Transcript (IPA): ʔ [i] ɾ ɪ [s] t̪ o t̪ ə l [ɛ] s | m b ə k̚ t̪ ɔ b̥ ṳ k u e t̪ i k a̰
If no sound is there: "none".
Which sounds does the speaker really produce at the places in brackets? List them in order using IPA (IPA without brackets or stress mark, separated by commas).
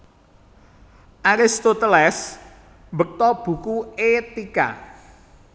a, s, ɛ